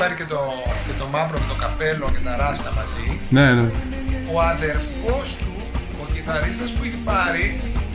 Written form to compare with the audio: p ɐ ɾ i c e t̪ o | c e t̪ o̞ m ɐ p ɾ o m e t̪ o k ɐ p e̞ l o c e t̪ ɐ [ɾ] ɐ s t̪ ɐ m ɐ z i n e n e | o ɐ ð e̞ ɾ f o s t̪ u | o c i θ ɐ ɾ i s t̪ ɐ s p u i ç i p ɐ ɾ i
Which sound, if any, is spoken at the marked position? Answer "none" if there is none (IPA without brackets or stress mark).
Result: ɾ